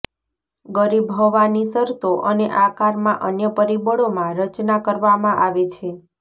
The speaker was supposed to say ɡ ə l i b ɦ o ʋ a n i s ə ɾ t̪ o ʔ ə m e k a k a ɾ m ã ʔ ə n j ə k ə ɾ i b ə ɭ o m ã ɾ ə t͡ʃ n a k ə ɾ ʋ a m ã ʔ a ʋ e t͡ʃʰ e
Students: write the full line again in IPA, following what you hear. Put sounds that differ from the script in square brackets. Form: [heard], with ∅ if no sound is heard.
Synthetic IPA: ɡ ə [ɾ] i b ɦ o ʋ a n i s ə ɾ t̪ o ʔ ə [n] e [ʔ] a k a ɾ m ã ʔ ə n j ə [p] ə ɾ i b ə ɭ o m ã ɾ ə t͡ʃ n a k ə ɾ ʋ a m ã ʔ a ʋ e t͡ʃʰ e

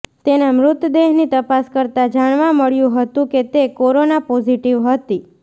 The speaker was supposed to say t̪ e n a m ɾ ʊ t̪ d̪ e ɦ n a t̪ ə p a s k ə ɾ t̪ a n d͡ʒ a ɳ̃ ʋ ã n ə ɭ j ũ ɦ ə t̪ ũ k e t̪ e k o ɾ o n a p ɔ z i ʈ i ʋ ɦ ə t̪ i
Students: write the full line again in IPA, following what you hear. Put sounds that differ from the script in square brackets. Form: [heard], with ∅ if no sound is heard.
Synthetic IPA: t̪ e n a m ɾ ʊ t̪ d̪ e ɦ n [i] t̪ ə p a s k ə ɾ t̪ a [∅] d͡ʒ a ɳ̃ ʋ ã [m] ə ɭ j ũ ɦ ə t̪ ũ k e t̪ e k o ɾ o n a p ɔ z i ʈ i ʋ ɦ ə t̪ i

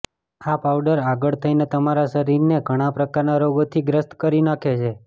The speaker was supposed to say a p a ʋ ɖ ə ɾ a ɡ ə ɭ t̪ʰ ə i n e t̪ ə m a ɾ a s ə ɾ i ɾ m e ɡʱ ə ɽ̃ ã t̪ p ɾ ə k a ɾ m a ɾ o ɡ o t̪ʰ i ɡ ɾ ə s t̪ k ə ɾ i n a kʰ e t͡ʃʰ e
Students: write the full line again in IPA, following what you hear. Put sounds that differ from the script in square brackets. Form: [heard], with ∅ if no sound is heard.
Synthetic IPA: a p a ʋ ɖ ə ɾ a ɡ ə ɭ t̪ʰ ə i n e t̪ ə m a ɾ a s ə ɾ i ɾ [n] e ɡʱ ə ɽ̃ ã [∅] p ɾ ə k a ɾ [n] a ɾ o ɡ o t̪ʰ i ɡ ɾ ə s t̪ k ə ɾ i n a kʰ e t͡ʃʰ e

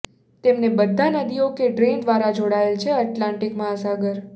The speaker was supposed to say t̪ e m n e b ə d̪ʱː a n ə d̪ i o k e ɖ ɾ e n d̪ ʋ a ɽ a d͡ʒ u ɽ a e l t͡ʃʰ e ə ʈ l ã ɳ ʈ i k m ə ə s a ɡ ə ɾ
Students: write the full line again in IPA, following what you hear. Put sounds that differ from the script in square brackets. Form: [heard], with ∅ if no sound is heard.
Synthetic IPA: t̪ e m n e b ə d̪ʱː a n ə d̪ i o k e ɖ ɾ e n d̪ ʋ a [ɾ] a d͡ʒ [o] ɽ a e l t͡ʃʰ e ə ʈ l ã ɳ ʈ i k m [a] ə s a ɡ ə ɾ

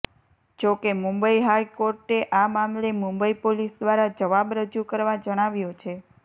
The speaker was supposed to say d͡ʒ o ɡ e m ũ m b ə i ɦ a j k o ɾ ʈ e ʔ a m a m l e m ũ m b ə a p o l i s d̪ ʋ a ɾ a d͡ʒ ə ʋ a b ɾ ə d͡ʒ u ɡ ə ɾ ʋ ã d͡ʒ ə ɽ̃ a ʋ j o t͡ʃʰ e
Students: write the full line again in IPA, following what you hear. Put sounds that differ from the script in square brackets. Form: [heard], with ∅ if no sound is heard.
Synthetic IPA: d͡ʒ o [k] e m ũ m b ə i ɦ a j k o ɾ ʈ e ʔ a m a m l e m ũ m b ə [i] p o l i s d̪ ʋ a ɾ a d͡ʒ ə ʋ a b ɾ ə d͡ʒ u [k] ə ɾ ʋ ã d͡ʒ ə ɽ̃ a ʋ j o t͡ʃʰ e

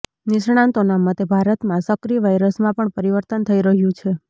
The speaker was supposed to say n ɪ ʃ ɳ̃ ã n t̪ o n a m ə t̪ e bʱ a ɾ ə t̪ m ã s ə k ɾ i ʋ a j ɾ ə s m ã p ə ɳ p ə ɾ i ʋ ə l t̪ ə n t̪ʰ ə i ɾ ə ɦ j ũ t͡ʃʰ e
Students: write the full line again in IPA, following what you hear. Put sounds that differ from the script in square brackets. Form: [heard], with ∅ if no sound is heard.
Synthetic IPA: n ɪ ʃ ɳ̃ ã n t̪ o n a m ə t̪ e bʱ a ɾ ə t̪ m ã s ə k ɾ i ʋ a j ɾ ə s m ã p ə ɳ p ə ɾ i ʋ ə [ɾ] t̪ ə n t̪ʰ ə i ɾ ə ɦ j ũ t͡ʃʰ e

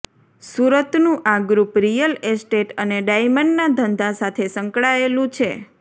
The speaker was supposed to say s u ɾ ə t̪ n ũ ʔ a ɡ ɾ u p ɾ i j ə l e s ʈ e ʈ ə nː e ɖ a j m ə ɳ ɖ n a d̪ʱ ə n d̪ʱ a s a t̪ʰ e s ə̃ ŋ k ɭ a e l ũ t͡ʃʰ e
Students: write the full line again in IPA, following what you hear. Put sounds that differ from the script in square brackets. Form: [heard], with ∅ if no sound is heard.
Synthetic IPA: s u ɾ ə t̪ n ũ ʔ a ɡ ɾ u p ɾ i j ə l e s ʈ e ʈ ə [n] e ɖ a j m ə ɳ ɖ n a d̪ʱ ə n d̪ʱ a s a t̪ʰ e s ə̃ ŋ k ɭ a e l ũ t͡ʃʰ e

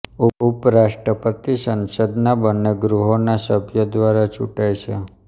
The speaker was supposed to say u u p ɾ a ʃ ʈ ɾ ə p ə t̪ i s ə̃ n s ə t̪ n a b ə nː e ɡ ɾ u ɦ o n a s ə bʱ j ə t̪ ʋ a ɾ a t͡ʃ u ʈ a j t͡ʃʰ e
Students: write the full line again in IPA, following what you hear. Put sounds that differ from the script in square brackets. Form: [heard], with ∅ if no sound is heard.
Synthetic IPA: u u p ɾ a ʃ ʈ ɾ ə p ə t̪ i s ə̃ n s ə [d̪] n a b ə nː e ɡ ɾ u ɦ o n a s ə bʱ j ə [d̪] ʋ a ɾ a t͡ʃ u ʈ a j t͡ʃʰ e

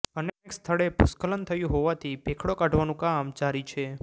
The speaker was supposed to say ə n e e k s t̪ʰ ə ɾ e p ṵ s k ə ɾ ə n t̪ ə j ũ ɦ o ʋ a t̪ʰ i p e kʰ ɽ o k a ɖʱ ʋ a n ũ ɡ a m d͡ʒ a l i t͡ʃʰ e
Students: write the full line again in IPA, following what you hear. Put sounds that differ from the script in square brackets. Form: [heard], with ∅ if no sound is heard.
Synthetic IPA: ə n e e k s t̪ʰ ə [ɭ] e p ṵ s k ə [l] ə n [t̪ʰ] ə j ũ ɦ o ʋ a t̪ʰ i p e kʰ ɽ o k a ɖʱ ʋ a n ũ [k] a m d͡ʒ a [ɾ] i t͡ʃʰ e

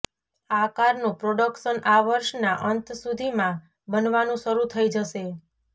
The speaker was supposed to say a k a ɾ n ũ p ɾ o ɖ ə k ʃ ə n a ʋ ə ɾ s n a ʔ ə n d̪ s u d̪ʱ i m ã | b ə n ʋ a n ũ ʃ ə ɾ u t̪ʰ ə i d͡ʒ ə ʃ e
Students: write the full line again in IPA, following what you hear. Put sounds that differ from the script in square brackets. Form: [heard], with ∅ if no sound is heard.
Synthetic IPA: a k a ɾ n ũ p ɾ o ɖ ə k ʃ ə n a ʋ ə ɾ [ʃ] n a ʔ ə n [t̪] s u d̪ʱ i m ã | b ə n ʋ a n ũ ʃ ə ɾ u t̪ʰ ə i d͡ʒ ə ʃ e

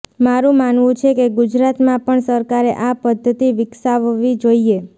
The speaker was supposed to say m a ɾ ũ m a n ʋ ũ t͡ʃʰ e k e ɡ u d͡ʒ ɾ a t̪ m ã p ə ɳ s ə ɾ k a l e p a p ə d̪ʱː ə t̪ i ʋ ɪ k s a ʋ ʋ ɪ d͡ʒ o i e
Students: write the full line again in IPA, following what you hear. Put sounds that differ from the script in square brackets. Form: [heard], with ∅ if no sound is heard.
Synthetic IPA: m a ɾ ũ m a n ʋ ũ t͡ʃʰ e k e ɡ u d͡ʒ ɾ a t̪ m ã p ə ɳ s ə ɾ k a [ɾ] e [ʔ] a p ə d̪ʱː ə t̪ i ʋ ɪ k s a ʋ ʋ [i] d͡ʒ o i e

